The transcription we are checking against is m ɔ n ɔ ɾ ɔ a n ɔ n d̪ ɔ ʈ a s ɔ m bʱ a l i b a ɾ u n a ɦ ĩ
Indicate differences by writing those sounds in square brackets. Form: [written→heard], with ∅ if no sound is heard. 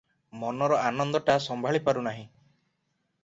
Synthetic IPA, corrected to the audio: m ɔ n ɔ ɾ ɔ a n ɔ n d̪ ɔ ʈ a s ɔ m bʱ a [l→ɭ] i [b→p] a ɾ u n a ɦ ĩ